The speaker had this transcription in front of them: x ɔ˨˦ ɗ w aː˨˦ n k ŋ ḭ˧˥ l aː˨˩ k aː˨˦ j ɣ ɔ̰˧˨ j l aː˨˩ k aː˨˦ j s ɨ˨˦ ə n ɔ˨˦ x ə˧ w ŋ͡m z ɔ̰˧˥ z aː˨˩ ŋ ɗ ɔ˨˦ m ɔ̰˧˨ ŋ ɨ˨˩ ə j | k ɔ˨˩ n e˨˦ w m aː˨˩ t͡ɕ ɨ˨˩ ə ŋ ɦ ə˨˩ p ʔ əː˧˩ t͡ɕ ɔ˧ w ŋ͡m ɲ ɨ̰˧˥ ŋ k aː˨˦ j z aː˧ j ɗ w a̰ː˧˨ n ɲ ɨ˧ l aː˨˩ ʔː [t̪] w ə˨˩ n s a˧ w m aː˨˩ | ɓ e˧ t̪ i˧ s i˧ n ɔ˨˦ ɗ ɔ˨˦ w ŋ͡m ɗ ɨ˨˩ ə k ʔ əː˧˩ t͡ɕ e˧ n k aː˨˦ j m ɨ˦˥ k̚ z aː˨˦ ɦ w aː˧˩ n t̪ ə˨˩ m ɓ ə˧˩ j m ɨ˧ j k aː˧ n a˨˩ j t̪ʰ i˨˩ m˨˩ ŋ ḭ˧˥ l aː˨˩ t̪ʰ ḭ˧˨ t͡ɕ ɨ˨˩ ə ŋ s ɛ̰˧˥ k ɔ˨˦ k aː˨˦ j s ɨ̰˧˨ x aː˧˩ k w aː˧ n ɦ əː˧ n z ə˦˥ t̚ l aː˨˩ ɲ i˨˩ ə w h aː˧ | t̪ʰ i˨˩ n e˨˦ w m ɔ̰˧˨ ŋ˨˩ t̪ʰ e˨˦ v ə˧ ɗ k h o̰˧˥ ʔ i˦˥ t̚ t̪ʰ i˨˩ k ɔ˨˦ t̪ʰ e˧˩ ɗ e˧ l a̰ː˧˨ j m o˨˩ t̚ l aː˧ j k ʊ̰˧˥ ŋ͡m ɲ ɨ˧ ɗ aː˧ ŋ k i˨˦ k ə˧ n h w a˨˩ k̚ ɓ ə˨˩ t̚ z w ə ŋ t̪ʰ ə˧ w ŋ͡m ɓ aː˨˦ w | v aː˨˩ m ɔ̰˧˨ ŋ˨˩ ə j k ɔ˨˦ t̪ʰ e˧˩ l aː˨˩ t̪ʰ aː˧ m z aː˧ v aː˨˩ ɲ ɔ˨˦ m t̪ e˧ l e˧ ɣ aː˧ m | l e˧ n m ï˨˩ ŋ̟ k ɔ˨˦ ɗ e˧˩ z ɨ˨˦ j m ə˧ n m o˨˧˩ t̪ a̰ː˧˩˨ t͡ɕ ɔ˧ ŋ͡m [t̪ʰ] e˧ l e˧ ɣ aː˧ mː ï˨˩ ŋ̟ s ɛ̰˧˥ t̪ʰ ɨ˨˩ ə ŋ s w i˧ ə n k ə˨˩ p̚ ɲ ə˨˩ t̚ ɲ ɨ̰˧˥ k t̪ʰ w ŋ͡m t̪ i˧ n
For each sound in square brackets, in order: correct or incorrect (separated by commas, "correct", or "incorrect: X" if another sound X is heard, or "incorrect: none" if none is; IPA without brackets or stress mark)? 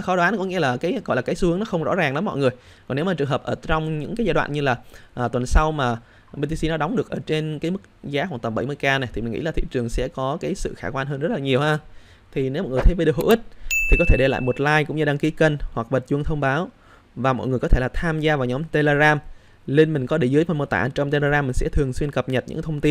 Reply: correct, incorrect: t̪